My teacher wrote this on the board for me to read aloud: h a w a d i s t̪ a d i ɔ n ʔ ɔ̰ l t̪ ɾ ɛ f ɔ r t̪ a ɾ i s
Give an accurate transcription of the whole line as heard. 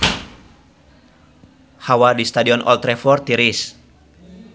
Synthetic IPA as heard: h a w a d i s t̪ a d i ɔ n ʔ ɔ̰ l t̪ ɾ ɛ f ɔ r t̪ i ɾ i s

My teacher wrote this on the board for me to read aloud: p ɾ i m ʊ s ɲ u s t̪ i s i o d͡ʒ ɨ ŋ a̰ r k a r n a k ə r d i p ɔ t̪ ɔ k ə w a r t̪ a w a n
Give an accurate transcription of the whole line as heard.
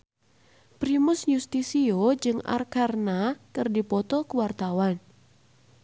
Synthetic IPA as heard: p ɾ i m ʊ s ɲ u s t̪ i s i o d͡ʒ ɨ ŋ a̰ r k a r n a k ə r d i p ɔ t̪ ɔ k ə w a r t̪ a w a n

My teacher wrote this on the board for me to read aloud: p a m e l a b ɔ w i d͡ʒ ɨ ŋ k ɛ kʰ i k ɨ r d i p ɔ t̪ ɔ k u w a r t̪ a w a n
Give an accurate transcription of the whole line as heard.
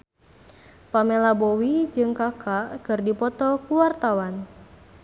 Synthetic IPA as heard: p a m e l a b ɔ w i d͡ʒ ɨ ŋ k a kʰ a k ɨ r d i p ɔ t̪ ɔ k u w a r t̪ a w a n

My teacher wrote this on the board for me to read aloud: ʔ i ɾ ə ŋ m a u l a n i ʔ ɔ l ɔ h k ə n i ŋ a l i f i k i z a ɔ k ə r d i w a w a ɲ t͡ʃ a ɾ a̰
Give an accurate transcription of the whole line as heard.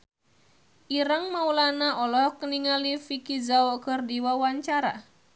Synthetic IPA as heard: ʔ i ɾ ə ŋ m a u l a n a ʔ ɔ l ɔ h k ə n i ŋ a l i f i k i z a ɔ k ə r d i w a w a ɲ t͡ʃ a ɾ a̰

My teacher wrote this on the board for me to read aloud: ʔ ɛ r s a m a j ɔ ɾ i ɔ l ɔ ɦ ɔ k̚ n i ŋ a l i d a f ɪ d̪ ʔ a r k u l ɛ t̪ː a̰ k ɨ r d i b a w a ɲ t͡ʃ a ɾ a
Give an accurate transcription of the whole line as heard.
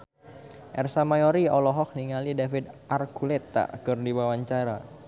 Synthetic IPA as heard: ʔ ɛ r s a m a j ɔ ɾ i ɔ l ɔ ɦ ɔ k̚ n i ŋ a l i d a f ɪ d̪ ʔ a r k u l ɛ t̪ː a̰ k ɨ r d i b a w a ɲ t͡ʃ a ɾ a

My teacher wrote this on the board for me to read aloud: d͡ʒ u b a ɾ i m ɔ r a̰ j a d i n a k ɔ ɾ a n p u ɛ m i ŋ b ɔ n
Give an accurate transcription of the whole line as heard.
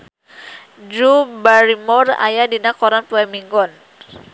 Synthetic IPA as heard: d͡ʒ u b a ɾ i m ɔ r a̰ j a d i n a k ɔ ɾ a n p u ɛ m i ŋ ɡ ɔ n

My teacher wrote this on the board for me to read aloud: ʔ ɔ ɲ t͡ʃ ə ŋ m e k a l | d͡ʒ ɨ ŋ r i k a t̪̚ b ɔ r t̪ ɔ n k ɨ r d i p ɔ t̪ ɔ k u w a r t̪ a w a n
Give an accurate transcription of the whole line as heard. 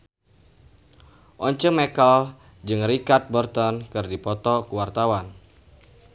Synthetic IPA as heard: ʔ ɔ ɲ t͡ʃ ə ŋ m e k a l | d͡ʒ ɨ ŋ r i k a t̪̚ b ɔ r t̪ ɔ n k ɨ r d i p ɔ t̪ ɔ k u w a r t̪ a w a n

